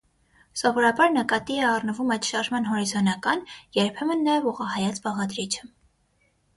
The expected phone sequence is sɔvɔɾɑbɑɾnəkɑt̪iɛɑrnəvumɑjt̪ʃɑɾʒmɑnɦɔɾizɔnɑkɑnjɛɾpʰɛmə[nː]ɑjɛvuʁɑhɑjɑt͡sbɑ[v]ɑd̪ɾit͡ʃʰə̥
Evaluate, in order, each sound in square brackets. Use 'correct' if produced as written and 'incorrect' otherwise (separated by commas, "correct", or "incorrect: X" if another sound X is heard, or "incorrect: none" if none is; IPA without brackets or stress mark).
correct, incorrect: ʁ